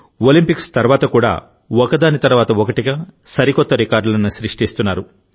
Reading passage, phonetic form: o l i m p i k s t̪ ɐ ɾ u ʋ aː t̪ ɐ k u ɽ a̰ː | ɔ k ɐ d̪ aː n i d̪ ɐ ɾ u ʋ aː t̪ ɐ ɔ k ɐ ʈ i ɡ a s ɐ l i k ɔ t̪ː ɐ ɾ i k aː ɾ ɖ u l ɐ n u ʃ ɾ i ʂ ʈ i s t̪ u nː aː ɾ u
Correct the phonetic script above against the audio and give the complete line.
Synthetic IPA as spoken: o l i m p i k s t̪ ɐ ɾ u ʋ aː t̪ ɐ k uː ɽ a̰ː | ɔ k ɐ d̪ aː n i t̪ ɐ ɾ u ʋ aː t̪ ɐ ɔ k ɐ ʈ i ɡ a s ɐ ɾ i k ɔ t̪ː ɐ ɾ i k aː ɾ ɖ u l ɐ n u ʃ ɾ i ʂ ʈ i s t̪ u nː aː ɾ u